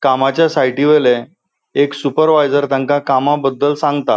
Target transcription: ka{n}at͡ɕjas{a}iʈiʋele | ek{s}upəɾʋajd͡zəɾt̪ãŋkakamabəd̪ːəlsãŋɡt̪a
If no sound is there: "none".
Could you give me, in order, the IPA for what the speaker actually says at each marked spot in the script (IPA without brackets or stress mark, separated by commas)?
m, a, s